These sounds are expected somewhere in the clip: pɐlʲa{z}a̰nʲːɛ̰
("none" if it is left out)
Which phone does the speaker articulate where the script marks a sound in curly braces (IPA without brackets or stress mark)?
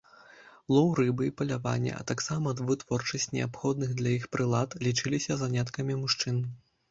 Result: v